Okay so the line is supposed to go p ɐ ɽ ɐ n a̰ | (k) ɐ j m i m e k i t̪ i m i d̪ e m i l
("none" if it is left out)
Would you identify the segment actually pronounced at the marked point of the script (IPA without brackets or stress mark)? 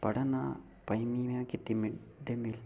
p